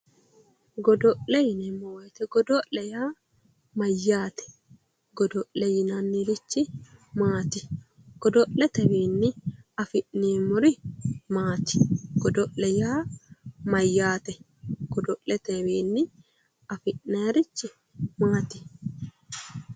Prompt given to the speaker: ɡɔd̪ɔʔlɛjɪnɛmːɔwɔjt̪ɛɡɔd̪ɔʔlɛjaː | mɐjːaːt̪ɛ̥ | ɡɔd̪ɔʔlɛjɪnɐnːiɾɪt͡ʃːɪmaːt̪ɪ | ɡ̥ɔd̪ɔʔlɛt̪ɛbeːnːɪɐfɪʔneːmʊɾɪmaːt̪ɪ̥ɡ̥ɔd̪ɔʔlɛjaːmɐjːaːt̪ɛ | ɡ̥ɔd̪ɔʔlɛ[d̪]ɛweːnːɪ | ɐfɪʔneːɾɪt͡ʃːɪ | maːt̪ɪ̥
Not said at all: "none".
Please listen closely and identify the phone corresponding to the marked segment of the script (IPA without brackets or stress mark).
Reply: t̪